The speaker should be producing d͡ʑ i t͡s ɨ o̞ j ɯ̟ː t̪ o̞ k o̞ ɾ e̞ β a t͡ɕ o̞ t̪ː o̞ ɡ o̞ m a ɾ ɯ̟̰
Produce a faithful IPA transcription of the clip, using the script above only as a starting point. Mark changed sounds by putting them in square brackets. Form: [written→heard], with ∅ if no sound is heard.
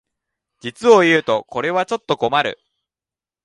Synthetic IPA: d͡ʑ i t͡s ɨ o̞ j ɯ̟ː t̪ o̞ k o̞ ɾ e̞ β a t͡ɕ o̞ t̪ː o̞ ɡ o̞ m a ɾ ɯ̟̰

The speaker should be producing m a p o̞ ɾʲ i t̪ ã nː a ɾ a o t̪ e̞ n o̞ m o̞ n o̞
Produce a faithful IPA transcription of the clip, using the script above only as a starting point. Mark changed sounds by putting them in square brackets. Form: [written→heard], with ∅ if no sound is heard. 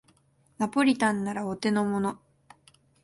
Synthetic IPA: [m→n] a p o̞ ɾʲ i t̪ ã nː a ɾ a o t̪ e̞ n o̞ m o̞ n o̞

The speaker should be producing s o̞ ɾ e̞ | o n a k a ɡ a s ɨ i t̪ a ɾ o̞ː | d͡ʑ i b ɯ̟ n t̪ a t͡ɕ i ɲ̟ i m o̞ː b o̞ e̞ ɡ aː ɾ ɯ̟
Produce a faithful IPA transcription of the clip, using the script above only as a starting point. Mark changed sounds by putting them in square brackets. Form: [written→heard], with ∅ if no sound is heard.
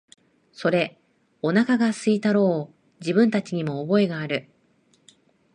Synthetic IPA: s o̞ ɾ e̞ | o n a k a ɡ a s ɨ i t̪ a ɾ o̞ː | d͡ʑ i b [ɯ̟→ɯ̟̃] n t̪ a t͡ɕ i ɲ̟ i m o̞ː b o̞ e̞ ɡ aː ɾ ɯ̟

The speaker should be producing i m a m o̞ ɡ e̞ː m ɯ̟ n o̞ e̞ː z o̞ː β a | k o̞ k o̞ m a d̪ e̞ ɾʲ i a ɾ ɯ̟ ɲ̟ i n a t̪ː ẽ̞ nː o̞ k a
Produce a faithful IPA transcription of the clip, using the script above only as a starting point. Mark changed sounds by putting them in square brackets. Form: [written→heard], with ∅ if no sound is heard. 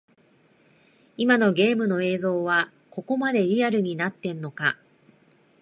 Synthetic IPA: i m a [m→n] o̞ ɡ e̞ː m ɯ̟ n o̞ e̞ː z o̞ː β a | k o̞ k o̞ m a d̪ e̞ ɾʲ i a ɾ ɯ̟ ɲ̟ i n a t̪ː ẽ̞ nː o̞ k a

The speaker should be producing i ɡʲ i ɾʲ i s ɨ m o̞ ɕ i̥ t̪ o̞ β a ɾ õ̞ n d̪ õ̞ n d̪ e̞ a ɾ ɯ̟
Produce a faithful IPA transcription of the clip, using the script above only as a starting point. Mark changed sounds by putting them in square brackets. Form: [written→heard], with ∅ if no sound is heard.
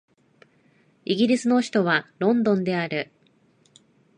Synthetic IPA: i ɡʲ i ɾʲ i s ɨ [m→n] o̞ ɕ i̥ t̪ o̞ β a ɾ õ̞ n d̪ õ̞ n d̪ e̞ a ɾ ɯ̟

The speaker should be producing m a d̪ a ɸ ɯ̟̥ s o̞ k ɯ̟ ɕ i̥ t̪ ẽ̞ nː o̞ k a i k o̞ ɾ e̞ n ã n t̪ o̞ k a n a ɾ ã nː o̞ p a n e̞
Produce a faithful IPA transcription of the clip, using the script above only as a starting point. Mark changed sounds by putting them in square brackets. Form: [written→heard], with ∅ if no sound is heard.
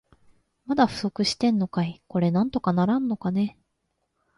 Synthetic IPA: m a d̪ a ɸ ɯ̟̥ s o̞ k ɯ̟ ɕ i̥ t̪ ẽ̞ nː o̞ k a i k o̞ ɾ e̞ n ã n t̪ o̞ k a n a ɾ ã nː o̞ [p→k] a n e̞

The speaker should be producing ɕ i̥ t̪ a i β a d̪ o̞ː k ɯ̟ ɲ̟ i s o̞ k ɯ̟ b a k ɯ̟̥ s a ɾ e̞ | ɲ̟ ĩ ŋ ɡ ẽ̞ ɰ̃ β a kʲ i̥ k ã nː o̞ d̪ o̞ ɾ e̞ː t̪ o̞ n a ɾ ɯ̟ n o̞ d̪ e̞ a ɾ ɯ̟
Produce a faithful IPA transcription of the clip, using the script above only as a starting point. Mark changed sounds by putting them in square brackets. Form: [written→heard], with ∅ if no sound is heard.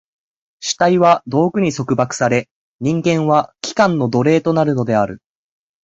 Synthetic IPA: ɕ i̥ t̪ a i β a d̪ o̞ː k ɯ̟ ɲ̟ i s o̞ k ɯ̟ b a k ɯ̟̥ s a ɾ e̞ | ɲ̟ ĩ ŋ ɡ ẽ̞ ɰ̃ β a kʲ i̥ k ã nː o̞ d̪ o̞ ɾ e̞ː t̪ o̞ n a ɾ ɯ̟ n o̞ d̪ e̞ a ɾ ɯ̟

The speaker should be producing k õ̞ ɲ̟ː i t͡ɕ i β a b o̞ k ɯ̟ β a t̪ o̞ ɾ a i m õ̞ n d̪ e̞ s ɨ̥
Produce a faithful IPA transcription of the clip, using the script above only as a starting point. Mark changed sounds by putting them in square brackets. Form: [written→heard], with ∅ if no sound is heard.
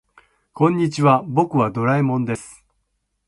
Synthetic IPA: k õ̞ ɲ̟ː i t͡ɕ i β a b o̞ k ɯ̟ β a [t̪→d̪] o̞ ɾ a i m õ̞ n d̪ e̞ s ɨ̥

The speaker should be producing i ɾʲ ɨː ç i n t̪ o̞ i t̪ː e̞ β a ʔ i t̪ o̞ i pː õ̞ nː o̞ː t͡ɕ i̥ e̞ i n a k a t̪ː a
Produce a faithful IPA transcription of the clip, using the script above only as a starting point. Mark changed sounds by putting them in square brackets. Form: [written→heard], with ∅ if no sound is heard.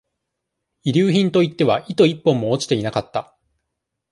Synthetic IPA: i ɾʲ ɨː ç [i→ĩ] n t̪ o̞ i t̪ː e̞ β a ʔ i t̪ o̞ i pː õ̞ [nː→mː] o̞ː t͡ɕ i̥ e̞ i n a k a t̪ː a

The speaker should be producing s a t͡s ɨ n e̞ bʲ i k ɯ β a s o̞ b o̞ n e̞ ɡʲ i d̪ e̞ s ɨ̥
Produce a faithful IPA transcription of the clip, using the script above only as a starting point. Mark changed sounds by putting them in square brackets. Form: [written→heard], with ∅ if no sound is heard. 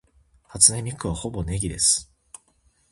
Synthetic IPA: [s→h] a t͡s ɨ n e̞ [bʲ→mʲ] i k ɯ β a [s→h] o̞ b o̞ n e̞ ɡʲ i d̪ e̞ s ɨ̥

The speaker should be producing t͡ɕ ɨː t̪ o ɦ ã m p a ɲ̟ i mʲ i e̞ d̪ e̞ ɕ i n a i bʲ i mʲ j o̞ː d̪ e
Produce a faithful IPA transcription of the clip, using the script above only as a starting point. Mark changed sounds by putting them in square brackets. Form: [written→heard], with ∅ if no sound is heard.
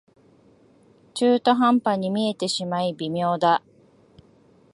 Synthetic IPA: t͡ɕ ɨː t̪ o ɦ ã m p a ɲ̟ i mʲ i e̞ [d̪→t̪] e̞ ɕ i [n→m] a i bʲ i mʲ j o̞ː d̪ [e→a]

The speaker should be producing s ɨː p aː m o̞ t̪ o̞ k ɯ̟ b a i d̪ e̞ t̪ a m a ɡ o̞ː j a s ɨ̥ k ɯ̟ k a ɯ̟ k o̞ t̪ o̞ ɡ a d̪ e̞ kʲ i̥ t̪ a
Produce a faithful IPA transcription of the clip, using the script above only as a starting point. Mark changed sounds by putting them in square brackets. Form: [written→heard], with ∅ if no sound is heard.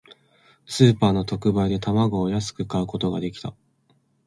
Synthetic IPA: s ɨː p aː [m→n] o̞ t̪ o̞ k ɯ̟ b a i d̪ e̞ t̪ a m a ɡ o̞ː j a s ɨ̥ k ɯ̟ k a ɯ̟ k o̞ t̪ o̞ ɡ a d̪ e̞ kʲ i̥ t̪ a

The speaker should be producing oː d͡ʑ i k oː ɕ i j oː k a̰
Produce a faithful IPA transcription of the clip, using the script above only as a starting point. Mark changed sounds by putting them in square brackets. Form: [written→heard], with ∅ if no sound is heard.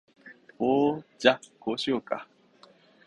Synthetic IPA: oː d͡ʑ [i→a] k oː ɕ i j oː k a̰

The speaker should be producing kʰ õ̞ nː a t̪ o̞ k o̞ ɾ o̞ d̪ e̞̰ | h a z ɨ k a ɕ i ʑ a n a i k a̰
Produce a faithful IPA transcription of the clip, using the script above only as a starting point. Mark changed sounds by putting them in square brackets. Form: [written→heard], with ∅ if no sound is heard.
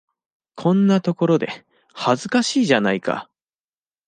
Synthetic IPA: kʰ õ̞ nː a t̪ o̞ k o̞ ɾ o̞ d̪ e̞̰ | h a z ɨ k a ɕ [i→iː] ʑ a n a i k a̰

